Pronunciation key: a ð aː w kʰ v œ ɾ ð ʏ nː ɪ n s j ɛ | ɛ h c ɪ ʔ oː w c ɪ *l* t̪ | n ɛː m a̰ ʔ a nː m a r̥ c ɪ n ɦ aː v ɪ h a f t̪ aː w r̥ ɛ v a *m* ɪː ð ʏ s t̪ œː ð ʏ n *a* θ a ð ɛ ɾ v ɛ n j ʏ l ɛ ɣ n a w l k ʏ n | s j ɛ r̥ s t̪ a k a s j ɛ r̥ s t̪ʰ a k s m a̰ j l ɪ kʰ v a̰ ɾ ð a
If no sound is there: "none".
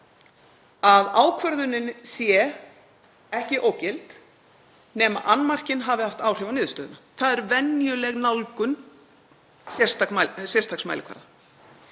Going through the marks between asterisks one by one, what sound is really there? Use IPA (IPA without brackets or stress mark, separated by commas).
l, n, a